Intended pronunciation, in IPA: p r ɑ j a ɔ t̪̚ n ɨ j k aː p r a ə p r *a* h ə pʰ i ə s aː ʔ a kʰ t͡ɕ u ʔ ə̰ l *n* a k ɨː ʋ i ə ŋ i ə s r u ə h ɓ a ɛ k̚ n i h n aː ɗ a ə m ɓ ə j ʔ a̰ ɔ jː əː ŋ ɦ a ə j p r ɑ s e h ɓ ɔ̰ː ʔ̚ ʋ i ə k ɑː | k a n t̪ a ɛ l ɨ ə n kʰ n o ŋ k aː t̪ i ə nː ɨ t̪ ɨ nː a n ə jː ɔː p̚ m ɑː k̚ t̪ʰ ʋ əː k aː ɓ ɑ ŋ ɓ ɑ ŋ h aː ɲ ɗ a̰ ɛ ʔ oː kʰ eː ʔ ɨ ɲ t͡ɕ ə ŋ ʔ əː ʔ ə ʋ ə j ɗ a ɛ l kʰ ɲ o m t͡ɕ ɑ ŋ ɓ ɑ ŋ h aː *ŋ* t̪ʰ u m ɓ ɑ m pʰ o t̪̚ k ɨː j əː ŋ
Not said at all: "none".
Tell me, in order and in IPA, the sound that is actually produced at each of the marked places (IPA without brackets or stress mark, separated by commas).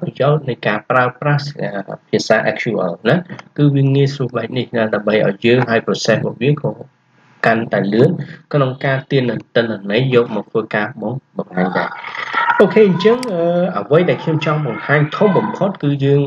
a, n, ɲ